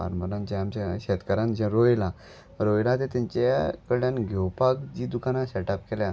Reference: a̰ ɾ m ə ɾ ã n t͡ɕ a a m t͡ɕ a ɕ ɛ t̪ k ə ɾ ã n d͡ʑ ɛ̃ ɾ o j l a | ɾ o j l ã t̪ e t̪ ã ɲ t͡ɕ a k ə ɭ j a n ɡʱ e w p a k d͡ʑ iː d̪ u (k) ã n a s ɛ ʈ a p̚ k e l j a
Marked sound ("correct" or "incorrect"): correct